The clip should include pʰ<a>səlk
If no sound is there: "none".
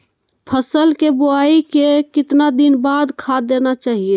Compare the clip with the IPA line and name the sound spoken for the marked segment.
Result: ə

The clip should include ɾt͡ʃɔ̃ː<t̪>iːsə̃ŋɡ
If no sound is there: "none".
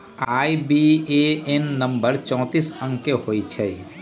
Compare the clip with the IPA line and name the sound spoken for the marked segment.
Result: t̪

